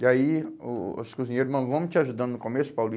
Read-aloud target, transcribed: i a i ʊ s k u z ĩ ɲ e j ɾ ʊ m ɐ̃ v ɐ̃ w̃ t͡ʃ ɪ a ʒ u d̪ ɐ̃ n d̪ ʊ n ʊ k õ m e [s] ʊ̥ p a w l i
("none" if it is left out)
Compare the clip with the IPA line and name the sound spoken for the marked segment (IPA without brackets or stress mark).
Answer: s